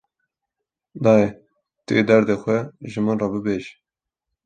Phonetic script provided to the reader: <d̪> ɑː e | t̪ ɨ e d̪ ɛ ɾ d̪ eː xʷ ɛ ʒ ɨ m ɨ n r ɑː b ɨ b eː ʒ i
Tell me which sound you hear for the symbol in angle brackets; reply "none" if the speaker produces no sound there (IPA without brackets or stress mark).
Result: d̪